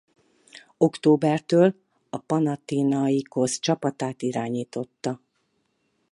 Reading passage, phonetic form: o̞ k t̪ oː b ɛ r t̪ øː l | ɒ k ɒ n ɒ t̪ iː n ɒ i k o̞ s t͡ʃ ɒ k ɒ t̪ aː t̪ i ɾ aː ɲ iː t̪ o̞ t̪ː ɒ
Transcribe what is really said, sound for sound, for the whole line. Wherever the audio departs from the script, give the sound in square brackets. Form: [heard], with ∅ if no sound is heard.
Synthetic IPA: o̞ k t̪ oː b ɛ r t̪ øː l | ɒ [p] ɒ n ɒ t̪ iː n ɒ i k o̞ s t͡ʃ ɒ [p] ɒ t̪ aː t̪ i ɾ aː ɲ iː t̪ o̞ t̪ː ɒ